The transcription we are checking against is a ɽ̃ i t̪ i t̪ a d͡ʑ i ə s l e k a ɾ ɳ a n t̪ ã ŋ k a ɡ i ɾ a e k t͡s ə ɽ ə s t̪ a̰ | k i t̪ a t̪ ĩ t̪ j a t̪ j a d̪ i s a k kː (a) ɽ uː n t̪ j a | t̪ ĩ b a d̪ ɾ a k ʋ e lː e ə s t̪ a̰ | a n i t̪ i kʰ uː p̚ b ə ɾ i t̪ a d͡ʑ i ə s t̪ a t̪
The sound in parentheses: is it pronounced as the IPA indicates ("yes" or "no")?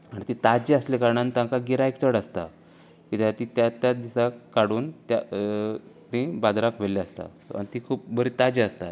yes